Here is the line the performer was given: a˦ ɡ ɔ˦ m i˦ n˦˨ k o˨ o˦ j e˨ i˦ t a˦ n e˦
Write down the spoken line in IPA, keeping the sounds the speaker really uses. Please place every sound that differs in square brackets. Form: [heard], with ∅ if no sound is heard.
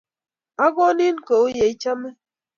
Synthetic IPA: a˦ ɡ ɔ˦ [n] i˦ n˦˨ k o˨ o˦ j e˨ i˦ [t͡ʃ] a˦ [m] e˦